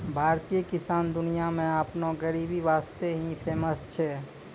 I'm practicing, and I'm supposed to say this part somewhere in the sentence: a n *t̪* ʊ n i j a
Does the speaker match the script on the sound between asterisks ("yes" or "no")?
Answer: no